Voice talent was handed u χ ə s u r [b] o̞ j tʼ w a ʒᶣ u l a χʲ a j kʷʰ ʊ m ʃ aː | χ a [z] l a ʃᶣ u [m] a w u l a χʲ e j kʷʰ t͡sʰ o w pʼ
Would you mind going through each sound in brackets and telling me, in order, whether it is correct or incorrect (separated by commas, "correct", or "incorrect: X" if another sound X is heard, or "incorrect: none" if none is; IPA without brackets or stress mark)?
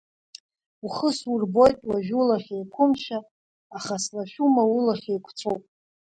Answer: correct, incorrect: s, correct